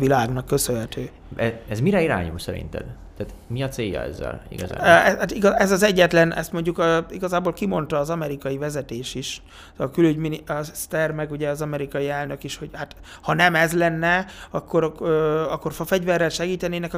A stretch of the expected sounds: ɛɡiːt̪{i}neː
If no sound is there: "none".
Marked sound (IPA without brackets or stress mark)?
ɛ